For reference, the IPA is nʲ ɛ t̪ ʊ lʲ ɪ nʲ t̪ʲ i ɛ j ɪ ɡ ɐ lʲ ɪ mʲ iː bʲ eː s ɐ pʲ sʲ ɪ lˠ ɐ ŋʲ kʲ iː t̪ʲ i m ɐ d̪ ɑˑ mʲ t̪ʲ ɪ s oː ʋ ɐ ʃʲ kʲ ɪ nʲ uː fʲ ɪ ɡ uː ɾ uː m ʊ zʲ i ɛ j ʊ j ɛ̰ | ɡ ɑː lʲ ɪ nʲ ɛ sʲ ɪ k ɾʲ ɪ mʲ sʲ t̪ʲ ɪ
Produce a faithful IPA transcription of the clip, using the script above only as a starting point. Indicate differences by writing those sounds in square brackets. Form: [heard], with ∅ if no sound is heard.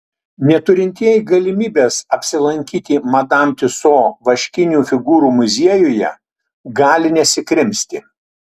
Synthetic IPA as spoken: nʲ ɛ t̪ ʊ [ɾʲ] ɪ nʲ t̪ʲ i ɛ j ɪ ɡ ɐ lʲ ɪ mʲ iː bʲ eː s ɐ pʲ sʲ ɪ lˠ ɐ ŋʲ kʲ iː t̪ʲ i m ɐ d̪ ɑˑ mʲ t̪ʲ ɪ s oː ʋ ɐ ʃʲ kʲ ɪ nʲ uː fʲ ɪ ɡ uː ɾ uː m ʊ zʲ i ɛ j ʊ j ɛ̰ | ɡ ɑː lʲ ɪ nʲ ɛ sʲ ɪ k ɾʲ ɪ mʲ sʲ t̪ʲ ɪ